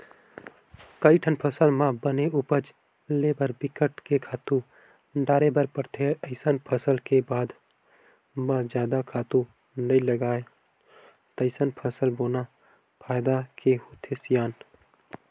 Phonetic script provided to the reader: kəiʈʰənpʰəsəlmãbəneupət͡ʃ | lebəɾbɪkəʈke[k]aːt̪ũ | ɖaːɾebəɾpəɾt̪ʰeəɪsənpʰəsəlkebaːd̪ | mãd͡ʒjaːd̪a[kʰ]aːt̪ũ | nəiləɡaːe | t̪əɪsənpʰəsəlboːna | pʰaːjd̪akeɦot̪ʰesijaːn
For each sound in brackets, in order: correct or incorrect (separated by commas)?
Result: incorrect, correct